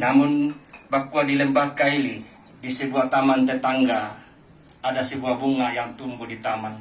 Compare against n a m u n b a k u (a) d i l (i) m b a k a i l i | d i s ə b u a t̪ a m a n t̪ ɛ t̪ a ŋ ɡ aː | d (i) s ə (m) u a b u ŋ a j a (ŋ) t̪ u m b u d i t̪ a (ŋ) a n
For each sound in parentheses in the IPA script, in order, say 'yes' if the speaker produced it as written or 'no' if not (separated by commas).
yes, no, no, no, yes, no